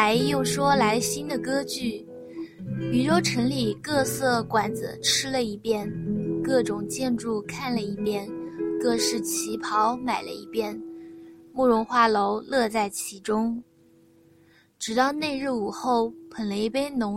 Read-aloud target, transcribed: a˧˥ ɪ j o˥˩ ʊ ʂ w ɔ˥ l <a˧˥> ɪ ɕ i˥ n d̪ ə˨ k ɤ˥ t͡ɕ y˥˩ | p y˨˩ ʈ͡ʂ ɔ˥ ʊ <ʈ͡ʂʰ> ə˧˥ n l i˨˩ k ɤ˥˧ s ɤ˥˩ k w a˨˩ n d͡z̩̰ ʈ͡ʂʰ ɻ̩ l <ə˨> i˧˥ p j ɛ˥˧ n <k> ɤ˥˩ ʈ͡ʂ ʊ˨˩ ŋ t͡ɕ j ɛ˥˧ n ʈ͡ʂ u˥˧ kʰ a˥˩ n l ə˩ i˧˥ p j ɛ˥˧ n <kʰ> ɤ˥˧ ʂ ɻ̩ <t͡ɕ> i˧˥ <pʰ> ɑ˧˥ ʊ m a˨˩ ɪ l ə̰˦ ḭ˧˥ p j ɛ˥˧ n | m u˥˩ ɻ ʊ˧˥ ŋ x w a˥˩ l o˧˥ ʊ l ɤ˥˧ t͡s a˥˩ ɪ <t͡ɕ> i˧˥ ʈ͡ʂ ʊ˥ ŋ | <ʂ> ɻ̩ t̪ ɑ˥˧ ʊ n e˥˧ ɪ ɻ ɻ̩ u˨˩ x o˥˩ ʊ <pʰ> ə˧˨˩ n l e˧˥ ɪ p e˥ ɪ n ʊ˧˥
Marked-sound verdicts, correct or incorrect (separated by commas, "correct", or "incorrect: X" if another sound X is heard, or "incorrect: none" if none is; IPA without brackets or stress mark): correct, correct, correct, correct, incorrect: k, incorrect: t͡ɕʰ, correct, incorrect: t͡ɕʰ, incorrect: ʈ͡ʂ, correct